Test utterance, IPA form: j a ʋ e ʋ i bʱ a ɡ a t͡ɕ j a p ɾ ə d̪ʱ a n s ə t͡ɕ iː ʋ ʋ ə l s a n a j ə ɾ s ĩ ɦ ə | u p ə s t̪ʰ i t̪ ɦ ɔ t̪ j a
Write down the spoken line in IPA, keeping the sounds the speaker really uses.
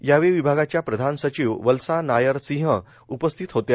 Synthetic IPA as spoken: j a ʋ e ʋ i bʱ a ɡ a t͡ɕ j a p ɾ ə d̪ʱ a n s ə t͡ɕ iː ʋ ʋ ə l s a n a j ə ɾ s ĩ ɦ ə | u p ə s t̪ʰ i t̪ ɦ o t̪ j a